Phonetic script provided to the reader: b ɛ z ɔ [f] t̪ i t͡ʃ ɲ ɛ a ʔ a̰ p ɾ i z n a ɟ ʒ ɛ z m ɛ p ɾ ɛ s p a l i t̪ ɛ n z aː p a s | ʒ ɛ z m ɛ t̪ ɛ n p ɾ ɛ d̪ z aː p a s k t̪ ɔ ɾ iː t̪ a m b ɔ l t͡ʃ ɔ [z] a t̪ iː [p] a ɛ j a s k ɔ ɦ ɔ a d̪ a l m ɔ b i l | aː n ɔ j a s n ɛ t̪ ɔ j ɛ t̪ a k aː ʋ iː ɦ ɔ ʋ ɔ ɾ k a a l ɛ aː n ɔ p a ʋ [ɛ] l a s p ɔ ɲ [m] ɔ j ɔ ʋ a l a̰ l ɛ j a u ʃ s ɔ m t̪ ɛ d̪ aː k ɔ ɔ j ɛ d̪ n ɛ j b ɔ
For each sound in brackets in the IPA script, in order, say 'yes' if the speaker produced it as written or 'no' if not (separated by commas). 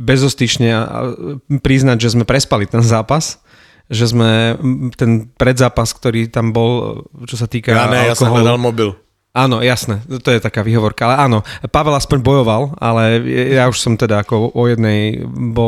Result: no, no, no, yes, no